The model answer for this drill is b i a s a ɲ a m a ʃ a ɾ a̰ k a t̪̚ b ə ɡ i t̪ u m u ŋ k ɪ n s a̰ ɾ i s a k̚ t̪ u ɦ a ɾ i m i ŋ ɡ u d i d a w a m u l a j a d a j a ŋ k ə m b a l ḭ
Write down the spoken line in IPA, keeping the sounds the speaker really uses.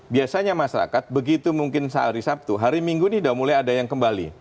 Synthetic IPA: b i a s a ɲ a m a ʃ a ɾ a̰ k a t̪̚ b ə ɡ i t̪ u m u ŋ k ɪ n s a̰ ɾ i s a p̚ t̪ u ɦ a ɾ i m i ŋ ɡ u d i d a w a m u l a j a d a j a ŋ k ə m b a l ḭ